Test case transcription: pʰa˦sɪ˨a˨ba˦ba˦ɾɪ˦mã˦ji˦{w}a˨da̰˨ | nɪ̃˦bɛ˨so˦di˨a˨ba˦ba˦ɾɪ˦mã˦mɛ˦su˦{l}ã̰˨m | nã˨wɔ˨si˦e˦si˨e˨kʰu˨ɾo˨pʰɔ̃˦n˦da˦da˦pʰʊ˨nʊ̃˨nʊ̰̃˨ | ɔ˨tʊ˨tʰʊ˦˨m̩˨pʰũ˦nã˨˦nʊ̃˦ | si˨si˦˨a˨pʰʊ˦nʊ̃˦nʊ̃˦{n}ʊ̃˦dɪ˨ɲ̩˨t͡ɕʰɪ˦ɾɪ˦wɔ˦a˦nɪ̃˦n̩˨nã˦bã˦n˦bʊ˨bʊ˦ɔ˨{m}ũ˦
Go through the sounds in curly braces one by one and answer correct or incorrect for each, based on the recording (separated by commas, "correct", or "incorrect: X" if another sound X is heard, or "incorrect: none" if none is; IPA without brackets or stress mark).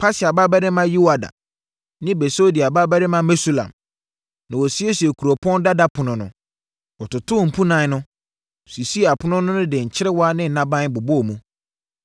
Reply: correct, correct, correct, correct